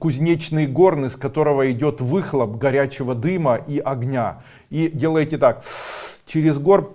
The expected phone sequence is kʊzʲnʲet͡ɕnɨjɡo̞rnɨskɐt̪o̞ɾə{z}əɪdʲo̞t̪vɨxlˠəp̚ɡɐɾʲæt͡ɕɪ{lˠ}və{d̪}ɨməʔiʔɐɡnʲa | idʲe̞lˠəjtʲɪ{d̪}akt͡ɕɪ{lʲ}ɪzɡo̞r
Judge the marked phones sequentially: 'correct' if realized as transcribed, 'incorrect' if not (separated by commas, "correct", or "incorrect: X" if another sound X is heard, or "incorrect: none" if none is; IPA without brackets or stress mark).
incorrect: v, incorrect: none, correct, incorrect: t̪, incorrect: ɾʲ